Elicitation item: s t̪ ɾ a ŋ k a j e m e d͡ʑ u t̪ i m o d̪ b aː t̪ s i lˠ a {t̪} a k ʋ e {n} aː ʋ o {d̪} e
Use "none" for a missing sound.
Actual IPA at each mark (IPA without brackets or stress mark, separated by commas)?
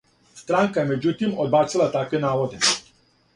t̪, n, d̪